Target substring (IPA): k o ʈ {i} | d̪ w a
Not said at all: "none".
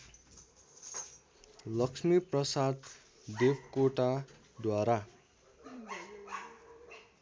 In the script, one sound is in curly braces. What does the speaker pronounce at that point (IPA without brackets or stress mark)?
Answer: a